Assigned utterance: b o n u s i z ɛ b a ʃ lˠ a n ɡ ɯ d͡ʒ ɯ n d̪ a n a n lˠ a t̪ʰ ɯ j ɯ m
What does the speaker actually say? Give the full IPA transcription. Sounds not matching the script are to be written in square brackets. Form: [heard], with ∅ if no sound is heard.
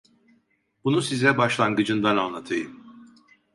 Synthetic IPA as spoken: b [u] n u s i z ɛ b a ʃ lˠ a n ɡ ɯ d͡ʒ ɯ n d̪ a n a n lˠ a t̪ʰ ɯ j ɯ m